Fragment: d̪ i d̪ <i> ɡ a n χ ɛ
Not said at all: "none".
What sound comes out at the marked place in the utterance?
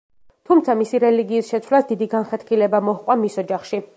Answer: i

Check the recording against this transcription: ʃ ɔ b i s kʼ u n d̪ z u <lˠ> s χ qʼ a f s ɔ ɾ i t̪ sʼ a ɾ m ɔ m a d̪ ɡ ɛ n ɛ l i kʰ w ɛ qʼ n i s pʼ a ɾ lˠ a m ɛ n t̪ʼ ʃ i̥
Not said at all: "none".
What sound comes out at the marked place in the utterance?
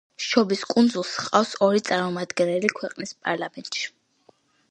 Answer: lˠ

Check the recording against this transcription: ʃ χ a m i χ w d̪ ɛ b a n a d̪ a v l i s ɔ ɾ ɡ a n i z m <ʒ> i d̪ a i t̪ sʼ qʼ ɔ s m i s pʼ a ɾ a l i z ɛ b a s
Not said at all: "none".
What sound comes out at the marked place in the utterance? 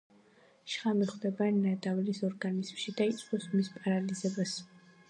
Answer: ʃ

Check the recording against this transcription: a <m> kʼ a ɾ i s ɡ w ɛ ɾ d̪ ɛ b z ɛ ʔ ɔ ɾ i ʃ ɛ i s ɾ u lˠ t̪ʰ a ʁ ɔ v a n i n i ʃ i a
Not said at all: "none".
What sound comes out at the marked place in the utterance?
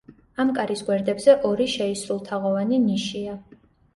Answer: m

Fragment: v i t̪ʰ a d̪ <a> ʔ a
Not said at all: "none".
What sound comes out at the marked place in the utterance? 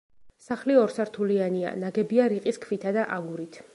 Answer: a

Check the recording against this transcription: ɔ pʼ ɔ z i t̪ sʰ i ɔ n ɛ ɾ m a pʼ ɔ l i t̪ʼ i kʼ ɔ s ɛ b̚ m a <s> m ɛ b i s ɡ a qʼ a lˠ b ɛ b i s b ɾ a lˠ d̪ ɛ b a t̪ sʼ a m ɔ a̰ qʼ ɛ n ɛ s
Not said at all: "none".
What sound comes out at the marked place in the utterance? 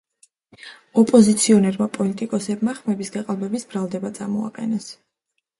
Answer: χ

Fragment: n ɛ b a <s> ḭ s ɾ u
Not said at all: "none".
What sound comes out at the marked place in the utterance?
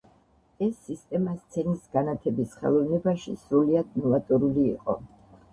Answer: ʃ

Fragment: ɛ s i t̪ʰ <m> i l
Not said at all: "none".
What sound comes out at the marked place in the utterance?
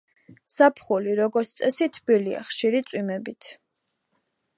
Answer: b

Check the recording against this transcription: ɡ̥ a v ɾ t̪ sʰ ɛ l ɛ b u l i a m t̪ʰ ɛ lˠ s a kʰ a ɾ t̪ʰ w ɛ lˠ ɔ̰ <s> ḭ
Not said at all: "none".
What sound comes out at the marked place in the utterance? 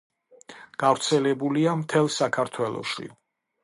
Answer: ʃ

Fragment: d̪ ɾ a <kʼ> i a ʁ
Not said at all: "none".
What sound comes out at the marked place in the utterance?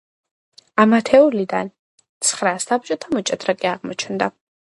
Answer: kʼ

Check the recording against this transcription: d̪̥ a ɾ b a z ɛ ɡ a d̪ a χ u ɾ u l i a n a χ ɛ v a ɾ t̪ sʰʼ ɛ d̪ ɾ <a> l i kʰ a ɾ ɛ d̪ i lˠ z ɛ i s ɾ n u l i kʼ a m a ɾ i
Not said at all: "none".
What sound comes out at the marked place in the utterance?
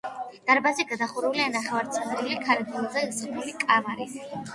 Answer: i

